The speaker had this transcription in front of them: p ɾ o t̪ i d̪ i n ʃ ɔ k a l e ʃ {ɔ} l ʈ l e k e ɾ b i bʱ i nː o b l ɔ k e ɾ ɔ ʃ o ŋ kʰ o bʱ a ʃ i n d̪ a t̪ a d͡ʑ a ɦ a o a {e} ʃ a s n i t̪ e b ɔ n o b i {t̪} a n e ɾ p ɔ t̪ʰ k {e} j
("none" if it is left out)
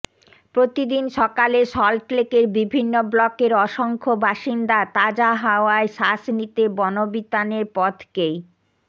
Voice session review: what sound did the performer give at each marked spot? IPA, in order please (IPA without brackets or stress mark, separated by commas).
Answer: ɔ, e, t̪, e